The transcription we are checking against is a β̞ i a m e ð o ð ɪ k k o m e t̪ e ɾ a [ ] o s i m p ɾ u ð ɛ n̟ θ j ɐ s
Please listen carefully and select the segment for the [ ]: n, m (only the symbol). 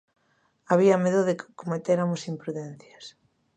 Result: m